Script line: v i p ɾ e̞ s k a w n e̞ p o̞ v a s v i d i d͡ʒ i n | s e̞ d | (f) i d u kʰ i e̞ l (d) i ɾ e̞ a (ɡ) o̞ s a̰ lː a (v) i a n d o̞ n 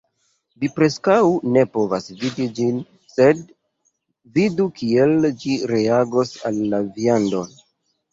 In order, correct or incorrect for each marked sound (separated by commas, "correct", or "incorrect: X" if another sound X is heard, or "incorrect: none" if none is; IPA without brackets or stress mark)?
incorrect: v, incorrect: d͡ʒ, correct, correct